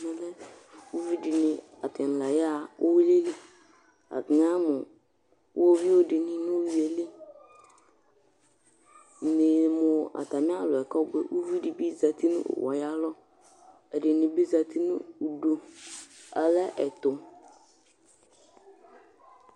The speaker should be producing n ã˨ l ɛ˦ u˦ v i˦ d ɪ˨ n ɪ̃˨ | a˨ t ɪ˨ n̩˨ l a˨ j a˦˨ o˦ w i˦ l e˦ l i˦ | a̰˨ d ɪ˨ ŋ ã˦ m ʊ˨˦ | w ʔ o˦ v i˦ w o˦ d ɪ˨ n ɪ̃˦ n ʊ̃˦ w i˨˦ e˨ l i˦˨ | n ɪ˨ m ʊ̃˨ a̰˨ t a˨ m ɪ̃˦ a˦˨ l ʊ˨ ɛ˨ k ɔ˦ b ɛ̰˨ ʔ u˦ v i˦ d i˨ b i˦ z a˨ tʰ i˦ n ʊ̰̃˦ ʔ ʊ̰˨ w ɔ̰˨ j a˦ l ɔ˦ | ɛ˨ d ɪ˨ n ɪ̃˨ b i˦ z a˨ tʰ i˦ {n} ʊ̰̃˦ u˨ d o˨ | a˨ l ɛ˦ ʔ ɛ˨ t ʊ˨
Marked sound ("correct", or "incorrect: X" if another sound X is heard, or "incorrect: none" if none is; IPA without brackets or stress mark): correct